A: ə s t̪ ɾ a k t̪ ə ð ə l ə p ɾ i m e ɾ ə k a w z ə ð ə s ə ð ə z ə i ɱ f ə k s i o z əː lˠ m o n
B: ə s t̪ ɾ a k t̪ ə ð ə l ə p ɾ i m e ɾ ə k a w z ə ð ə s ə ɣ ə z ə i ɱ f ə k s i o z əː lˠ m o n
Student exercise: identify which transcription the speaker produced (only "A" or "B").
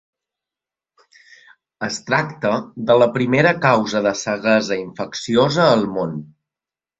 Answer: B